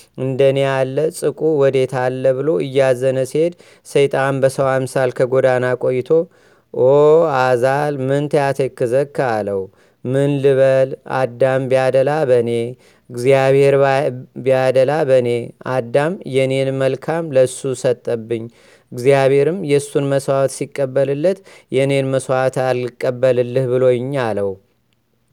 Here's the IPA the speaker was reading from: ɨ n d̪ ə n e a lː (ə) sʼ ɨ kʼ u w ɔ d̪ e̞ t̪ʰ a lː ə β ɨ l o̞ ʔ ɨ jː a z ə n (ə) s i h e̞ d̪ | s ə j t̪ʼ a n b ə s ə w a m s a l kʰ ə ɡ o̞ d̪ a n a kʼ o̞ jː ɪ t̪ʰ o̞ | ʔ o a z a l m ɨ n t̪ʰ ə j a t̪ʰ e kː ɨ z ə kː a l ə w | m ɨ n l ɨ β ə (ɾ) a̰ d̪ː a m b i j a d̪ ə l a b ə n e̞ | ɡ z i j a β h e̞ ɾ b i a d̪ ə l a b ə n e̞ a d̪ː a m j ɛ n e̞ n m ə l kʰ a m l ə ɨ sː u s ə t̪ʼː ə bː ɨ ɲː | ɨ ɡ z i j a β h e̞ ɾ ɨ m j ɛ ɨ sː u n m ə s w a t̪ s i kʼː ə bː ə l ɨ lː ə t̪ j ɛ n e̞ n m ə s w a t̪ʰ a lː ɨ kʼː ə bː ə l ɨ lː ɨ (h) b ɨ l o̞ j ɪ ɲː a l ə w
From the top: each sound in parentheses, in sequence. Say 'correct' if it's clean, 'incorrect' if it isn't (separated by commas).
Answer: correct, correct, incorrect, correct